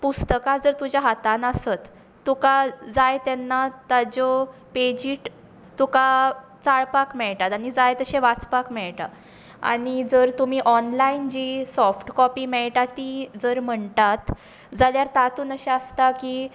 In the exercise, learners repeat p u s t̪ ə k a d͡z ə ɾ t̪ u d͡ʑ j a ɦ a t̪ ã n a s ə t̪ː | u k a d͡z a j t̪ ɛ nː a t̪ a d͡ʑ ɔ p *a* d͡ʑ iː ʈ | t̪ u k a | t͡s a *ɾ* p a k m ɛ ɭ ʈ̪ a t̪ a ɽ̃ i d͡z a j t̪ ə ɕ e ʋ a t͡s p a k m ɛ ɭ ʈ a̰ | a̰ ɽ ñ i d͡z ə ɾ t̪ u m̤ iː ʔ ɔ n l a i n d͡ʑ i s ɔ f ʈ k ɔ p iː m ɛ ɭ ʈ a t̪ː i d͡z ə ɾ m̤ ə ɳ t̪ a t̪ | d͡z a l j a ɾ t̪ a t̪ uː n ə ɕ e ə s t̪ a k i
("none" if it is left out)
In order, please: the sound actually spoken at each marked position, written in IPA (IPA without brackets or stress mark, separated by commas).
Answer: e, ɭ